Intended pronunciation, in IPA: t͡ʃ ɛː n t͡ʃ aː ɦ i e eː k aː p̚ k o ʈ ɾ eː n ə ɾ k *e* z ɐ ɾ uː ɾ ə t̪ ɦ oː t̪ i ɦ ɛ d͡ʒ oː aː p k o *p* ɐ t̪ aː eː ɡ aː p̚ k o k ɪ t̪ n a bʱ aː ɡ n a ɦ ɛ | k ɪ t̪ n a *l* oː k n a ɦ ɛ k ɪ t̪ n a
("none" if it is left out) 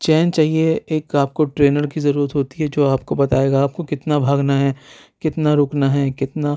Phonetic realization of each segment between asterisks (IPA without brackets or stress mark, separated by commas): i, b, ɾ